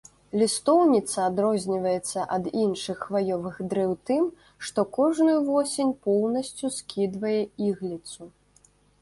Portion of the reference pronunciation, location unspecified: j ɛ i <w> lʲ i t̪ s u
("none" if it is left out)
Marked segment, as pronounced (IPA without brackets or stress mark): ɣ